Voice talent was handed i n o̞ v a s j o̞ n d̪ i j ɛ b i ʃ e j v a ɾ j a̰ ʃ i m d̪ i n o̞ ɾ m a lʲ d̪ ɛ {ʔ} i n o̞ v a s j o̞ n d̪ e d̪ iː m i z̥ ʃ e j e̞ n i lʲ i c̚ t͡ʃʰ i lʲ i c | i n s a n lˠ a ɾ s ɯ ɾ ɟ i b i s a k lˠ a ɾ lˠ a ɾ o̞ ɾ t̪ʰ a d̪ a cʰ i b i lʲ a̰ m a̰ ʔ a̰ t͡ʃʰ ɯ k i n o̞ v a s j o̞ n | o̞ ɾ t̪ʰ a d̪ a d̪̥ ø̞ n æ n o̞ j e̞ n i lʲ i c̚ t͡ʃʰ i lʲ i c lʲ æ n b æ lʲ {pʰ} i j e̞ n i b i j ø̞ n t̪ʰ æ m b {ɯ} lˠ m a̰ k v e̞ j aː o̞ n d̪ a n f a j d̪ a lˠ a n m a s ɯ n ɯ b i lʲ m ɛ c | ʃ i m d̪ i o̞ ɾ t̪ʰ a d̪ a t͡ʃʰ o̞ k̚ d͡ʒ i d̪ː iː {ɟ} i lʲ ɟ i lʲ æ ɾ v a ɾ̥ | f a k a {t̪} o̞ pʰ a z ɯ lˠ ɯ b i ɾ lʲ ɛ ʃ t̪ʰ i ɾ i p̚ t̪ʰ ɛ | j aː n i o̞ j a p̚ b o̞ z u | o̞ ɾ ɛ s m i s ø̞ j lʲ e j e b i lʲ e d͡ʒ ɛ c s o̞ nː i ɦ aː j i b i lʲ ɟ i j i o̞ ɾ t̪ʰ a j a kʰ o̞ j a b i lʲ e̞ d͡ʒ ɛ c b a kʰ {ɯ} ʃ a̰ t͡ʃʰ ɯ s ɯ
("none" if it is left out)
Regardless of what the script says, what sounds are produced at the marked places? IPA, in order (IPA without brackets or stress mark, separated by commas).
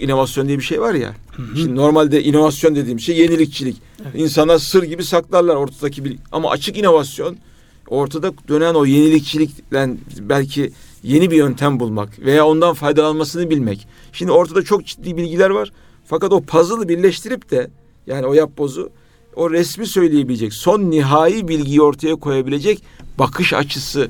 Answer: ʔ, cʰ, u, b, t̪, ɯ